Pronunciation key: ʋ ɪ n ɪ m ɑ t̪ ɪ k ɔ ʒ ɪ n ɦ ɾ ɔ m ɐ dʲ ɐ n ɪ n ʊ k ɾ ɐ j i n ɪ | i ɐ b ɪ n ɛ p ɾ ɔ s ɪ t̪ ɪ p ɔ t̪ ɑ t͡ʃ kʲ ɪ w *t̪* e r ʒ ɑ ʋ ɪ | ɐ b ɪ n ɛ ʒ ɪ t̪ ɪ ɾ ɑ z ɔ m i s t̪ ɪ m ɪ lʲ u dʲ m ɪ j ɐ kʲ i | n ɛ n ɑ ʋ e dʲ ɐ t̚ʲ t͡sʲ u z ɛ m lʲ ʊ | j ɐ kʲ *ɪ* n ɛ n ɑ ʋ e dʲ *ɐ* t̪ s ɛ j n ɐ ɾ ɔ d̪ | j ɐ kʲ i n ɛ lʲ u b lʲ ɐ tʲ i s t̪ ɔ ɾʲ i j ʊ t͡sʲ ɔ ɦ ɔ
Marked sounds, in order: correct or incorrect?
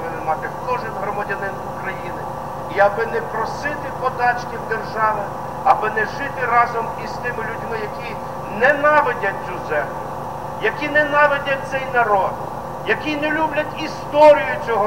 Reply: incorrect: d̪, incorrect: i, correct

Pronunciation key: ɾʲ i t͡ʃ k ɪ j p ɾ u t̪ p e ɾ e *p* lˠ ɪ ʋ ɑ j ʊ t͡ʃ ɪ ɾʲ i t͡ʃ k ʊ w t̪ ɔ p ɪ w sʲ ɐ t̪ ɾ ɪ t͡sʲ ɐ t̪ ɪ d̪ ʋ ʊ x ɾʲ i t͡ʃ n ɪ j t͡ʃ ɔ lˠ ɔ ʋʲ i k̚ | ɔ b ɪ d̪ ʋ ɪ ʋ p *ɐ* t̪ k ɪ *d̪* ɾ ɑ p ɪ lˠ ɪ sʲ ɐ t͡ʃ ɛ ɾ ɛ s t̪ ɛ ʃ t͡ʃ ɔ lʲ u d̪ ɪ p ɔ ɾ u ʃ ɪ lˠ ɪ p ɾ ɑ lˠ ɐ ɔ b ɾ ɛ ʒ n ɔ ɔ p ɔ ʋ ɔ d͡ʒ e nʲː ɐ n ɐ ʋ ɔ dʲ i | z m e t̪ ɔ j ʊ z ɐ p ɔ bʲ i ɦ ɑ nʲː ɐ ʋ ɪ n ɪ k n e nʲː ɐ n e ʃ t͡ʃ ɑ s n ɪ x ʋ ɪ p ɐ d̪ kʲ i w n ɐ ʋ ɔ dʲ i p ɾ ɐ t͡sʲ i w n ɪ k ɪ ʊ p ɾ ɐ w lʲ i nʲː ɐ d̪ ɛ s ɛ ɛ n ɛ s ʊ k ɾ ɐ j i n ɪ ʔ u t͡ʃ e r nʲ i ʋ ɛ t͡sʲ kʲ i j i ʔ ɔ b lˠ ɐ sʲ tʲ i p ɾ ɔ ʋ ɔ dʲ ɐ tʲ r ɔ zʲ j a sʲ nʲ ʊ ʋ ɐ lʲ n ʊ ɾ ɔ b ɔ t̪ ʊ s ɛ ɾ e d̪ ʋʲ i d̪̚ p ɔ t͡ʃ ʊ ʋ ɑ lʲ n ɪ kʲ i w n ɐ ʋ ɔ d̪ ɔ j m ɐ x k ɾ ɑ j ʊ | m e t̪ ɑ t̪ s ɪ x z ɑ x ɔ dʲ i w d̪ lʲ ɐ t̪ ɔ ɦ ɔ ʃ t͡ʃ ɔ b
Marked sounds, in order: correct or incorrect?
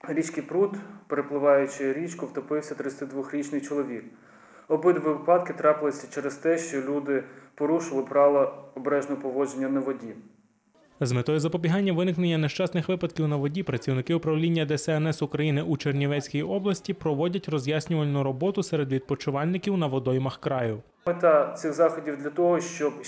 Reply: correct, incorrect: ɑ, incorrect: t̪

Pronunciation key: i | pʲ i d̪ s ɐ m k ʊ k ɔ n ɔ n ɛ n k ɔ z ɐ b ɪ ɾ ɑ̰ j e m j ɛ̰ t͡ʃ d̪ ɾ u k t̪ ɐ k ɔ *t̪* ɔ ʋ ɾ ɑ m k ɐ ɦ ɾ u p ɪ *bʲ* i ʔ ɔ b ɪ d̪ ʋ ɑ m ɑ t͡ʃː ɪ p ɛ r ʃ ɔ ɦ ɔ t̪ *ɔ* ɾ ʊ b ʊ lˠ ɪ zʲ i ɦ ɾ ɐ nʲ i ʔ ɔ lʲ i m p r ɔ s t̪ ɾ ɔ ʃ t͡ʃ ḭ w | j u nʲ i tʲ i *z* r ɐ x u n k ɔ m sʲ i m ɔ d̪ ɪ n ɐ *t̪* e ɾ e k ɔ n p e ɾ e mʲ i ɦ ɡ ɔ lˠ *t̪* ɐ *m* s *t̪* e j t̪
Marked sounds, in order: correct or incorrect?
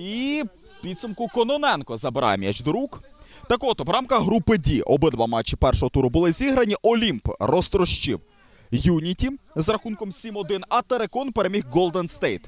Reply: correct, incorrect: dʲ, incorrect: u, correct, correct, incorrect: d̪, incorrect: n, correct

